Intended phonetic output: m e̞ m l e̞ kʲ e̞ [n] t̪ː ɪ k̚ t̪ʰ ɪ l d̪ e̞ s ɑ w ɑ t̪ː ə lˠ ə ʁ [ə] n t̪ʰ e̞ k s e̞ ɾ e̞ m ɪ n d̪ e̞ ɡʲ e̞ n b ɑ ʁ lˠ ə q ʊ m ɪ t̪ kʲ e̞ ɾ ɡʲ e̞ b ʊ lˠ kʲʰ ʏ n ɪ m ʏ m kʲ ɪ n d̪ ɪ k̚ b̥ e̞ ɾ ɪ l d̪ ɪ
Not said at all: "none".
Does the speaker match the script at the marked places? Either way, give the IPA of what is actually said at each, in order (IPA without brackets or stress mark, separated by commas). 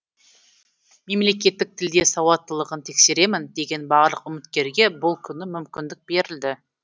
none, ə